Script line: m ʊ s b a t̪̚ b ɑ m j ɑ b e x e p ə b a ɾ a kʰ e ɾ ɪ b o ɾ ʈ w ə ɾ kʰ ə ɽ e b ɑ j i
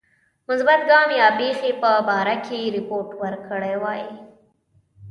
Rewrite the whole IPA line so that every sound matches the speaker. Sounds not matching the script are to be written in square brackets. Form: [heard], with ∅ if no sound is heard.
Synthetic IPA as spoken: m ʊ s b a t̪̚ [ɡ] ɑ m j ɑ b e x e p ə b [ɑ] ɾ a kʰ e ɾ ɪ [p] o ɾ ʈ w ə ɾ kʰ ə ɽ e [w] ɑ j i